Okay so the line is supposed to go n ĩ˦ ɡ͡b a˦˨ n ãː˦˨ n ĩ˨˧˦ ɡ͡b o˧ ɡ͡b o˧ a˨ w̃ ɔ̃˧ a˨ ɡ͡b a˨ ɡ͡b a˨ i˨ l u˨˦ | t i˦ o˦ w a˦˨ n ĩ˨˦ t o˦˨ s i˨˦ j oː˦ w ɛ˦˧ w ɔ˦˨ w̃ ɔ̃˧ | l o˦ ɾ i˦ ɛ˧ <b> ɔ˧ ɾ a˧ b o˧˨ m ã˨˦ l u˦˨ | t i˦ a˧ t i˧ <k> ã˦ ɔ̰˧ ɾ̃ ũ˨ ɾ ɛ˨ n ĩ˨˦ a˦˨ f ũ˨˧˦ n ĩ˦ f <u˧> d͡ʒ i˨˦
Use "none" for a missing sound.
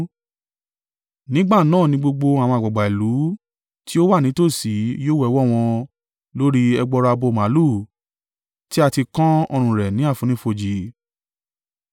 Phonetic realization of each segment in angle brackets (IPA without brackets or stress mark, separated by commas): ɡ͡b, k, o˧